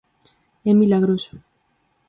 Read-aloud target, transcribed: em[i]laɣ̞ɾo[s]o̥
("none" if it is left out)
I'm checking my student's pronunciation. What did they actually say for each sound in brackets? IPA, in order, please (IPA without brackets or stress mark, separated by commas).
i, s